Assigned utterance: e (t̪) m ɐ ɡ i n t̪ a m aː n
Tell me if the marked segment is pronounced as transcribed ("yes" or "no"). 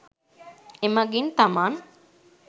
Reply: no